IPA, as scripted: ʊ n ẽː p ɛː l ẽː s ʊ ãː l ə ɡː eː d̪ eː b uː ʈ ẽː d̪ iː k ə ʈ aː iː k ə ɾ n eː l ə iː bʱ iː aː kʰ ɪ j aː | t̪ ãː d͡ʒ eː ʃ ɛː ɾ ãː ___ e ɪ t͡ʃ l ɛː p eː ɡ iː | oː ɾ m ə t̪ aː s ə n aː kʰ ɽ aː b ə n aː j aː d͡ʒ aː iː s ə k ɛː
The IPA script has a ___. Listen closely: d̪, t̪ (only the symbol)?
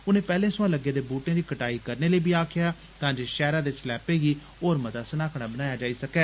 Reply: d̪